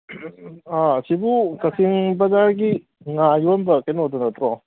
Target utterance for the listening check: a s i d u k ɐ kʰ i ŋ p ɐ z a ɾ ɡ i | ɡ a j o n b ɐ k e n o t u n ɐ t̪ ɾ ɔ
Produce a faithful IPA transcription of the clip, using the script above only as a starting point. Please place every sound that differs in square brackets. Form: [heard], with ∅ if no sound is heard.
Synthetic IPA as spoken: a s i [b] u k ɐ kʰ i ŋ [b] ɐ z a ɾ ɡ i | [ŋ] a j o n b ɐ k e n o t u n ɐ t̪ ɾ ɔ